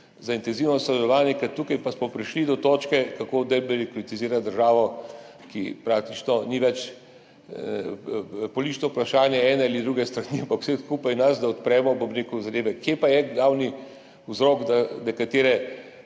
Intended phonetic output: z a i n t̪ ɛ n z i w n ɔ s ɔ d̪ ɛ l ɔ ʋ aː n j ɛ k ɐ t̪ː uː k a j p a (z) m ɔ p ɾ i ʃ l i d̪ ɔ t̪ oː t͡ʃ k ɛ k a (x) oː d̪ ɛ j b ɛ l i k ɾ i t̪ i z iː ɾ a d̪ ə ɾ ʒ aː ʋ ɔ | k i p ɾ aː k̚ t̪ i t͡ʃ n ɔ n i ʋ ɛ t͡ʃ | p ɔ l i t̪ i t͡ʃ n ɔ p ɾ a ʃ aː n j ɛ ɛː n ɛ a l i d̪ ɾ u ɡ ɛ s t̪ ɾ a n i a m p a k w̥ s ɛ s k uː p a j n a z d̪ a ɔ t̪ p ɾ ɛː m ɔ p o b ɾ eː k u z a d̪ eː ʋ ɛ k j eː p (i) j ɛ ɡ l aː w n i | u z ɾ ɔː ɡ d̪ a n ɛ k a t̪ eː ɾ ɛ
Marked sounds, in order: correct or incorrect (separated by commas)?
incorrect, incorrect, incorrect